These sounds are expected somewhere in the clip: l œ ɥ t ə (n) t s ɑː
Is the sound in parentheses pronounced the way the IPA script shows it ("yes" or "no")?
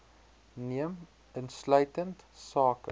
yes